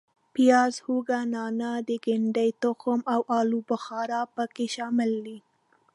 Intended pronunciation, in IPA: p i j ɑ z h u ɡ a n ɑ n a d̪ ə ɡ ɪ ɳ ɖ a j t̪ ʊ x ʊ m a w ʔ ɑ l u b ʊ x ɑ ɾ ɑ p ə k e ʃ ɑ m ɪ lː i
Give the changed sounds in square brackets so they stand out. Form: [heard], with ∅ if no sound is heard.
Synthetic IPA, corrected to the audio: p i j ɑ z h u ɡ a n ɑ n a d̪ ə ɡ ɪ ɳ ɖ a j t̪ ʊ x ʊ m a w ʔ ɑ l u b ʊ x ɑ ɾ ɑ p ə k e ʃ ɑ m ɪ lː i